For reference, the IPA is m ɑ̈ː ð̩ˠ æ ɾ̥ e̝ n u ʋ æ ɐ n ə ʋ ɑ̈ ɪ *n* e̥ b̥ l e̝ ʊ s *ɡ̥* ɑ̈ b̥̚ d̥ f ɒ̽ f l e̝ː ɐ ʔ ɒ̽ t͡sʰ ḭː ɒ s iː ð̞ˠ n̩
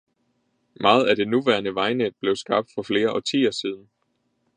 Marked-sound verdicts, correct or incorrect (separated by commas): correct, correct